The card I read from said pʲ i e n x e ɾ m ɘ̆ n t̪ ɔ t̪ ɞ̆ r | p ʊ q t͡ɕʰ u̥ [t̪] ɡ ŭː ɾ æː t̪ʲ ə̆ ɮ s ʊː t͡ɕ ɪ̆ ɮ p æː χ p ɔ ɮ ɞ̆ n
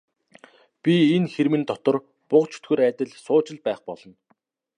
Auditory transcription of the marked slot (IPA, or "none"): t̪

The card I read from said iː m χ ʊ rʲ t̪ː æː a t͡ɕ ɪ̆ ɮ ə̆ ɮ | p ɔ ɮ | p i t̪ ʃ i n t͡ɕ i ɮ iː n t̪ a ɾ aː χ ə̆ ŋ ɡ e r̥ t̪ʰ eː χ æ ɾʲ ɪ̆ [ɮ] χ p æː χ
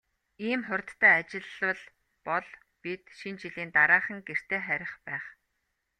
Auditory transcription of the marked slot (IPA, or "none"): none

